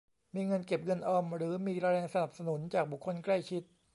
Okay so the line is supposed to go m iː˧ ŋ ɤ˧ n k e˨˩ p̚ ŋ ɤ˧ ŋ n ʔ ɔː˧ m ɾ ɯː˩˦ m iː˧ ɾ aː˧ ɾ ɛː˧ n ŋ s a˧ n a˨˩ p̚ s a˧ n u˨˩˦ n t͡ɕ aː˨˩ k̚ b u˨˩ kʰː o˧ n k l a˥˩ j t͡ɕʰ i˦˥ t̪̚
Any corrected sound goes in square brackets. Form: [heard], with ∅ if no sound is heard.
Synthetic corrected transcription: m iː˧ ŋ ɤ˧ n k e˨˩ p̚ ŋ ɤ˧ [∅] n ʔ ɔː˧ m ɾ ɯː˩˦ m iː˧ ɾ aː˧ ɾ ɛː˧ [∅] ŋ s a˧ n a˨˩ p̚ s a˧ n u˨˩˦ n t͡ɕ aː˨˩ k̚ b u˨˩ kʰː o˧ n k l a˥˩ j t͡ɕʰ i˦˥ t̪̚